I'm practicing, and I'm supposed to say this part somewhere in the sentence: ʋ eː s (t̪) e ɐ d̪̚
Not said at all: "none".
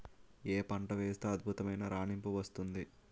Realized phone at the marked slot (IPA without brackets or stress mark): t̪